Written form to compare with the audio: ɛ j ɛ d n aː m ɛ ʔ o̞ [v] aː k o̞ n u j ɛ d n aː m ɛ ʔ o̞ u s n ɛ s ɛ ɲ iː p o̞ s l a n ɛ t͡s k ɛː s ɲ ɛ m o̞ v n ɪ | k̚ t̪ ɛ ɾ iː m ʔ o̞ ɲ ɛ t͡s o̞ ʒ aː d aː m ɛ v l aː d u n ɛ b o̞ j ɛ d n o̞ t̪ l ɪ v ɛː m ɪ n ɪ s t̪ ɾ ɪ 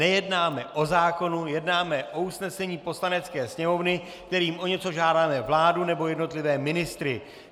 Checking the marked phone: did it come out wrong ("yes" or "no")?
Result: yes